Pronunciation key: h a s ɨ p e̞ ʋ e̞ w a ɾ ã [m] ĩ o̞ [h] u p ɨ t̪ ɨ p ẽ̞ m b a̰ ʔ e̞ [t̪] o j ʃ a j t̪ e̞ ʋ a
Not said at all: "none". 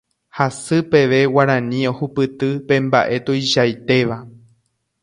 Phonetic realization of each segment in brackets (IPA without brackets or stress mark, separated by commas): n, h, t̪